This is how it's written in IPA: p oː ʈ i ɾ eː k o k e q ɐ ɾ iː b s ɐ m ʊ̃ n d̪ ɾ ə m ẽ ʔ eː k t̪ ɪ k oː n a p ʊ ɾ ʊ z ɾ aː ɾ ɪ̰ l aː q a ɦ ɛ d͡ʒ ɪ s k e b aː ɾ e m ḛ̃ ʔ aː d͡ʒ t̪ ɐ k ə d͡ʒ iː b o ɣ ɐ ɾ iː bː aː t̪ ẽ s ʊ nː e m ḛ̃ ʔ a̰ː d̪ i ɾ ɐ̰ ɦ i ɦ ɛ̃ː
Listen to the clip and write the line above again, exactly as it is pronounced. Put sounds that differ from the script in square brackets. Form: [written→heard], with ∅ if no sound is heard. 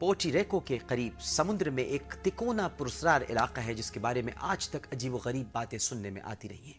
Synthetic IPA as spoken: p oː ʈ i ɾ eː k o k e q ɐ ɾ iː b s ɐ m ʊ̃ n d̪ ɾ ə m ẽ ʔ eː k t̪ ɪ k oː n a p ʊ ɾ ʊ [z→s] ɾ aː ɾ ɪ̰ l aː q a ɦ ɛ d͡ʒ ɪ s k e b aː ɾ e m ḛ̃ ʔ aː d͡ʒ t̪ ɐ k [ə→ɐ] d͡ʒ iː b o ɣ ɐ ɾ iː bː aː t̪ ẽ s ʊ nː e m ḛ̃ ʔ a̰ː [d̪→t̪] i ɾ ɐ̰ ɦ i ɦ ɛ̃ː